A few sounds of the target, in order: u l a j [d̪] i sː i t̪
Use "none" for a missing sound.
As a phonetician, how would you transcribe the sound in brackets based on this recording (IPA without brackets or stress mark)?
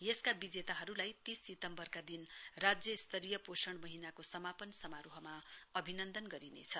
t̪